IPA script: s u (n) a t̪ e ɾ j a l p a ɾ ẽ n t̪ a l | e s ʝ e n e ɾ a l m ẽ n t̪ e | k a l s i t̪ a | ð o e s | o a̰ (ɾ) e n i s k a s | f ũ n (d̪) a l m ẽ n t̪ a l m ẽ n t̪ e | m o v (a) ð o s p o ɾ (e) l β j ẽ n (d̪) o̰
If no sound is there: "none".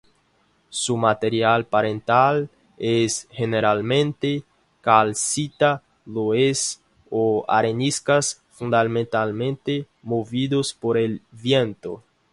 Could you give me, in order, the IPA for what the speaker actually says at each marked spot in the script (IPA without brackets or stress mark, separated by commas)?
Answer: m, ɾ, d̪, i, e, t̪